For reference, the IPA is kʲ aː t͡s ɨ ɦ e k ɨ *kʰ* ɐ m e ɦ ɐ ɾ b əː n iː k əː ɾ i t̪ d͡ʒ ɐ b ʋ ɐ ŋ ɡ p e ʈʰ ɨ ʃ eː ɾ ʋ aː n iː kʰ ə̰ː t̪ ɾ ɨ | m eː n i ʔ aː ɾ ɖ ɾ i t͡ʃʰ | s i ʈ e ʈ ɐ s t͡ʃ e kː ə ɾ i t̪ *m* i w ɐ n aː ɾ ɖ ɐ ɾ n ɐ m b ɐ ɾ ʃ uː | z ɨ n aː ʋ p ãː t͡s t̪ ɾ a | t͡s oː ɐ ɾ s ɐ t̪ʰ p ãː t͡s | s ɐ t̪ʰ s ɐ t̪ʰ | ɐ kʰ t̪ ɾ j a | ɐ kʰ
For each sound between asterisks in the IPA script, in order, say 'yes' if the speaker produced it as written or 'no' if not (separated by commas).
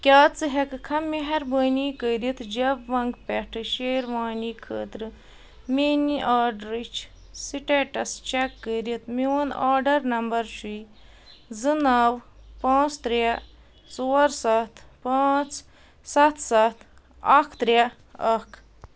yes, yes